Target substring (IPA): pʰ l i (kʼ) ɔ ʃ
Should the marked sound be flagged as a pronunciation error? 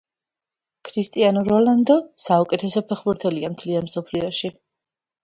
yes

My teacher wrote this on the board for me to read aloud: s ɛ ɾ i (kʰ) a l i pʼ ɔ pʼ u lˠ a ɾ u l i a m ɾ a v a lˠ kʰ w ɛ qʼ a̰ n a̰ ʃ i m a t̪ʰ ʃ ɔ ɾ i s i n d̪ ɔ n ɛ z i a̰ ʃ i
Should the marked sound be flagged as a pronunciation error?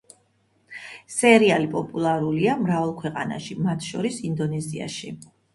yes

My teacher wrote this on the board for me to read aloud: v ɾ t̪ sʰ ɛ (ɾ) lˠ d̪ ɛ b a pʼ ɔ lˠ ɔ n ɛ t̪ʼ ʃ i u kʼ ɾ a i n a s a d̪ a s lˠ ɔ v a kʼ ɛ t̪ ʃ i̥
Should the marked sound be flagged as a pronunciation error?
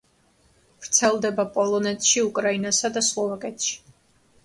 yes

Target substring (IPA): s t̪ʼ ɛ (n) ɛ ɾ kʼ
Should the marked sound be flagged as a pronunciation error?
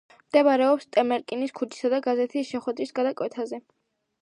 yes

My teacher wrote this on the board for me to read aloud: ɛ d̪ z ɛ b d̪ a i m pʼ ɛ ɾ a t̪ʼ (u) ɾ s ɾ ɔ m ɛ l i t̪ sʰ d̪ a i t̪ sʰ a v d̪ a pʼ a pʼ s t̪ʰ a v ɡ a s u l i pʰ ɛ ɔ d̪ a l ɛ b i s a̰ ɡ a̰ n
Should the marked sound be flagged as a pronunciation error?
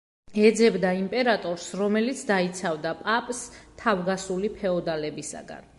yes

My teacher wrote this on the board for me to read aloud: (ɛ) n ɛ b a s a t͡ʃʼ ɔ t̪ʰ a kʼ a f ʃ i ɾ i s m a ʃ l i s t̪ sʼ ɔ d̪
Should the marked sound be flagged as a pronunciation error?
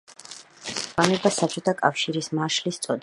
yes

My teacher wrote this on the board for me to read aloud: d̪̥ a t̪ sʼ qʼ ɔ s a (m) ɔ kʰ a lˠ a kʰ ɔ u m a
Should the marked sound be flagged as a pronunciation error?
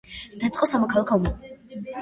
no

